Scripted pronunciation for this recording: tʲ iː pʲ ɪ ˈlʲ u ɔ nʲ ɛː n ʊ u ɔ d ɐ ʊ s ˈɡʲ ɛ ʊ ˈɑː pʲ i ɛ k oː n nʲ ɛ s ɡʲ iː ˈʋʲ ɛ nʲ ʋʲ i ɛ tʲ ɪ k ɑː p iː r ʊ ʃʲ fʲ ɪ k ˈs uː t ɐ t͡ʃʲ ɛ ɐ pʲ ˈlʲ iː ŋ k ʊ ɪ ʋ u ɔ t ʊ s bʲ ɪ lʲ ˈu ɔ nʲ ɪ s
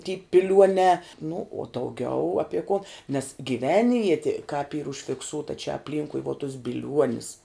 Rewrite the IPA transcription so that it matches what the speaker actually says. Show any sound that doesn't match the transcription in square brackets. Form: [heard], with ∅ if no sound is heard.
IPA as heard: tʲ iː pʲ ɪ ˈlʲ u ɔ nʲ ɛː n ʊ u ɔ d ɐ ʊ [∅] ˈɡʲ ɛ ʊ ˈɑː pʲ i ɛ k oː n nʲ ɛ s ɡʲ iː ˈʋʲ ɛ nʲ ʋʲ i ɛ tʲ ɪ k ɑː p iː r ʊ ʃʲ fʲ ɪ k ˈs uː t ɐ t͡ʃʲ ɛ ɐ pʲ ˈlʲ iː ŋ k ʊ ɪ ʋ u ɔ t ʊ s bʲ ɪ lʲ ˈu ɔ nʲ ɪ s